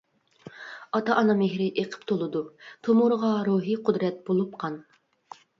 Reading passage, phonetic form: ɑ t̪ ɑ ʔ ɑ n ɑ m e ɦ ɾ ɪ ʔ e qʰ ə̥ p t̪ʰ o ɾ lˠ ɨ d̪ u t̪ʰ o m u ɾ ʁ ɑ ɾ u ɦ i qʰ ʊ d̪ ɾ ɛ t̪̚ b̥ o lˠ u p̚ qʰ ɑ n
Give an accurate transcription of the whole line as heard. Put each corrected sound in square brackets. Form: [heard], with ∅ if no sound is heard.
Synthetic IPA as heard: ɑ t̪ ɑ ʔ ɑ n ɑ m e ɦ ɾ ɪ ʔ e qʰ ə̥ p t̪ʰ o [∅] lˠ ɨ d̪ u t̪ʰ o m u ɾ ʁ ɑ ɾ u ɦ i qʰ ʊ d̪ ɾ ɛ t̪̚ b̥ o lˠ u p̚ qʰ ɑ n